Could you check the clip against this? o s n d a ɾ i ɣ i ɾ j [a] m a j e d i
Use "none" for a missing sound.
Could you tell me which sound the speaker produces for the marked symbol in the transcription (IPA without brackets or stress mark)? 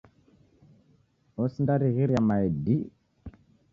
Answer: a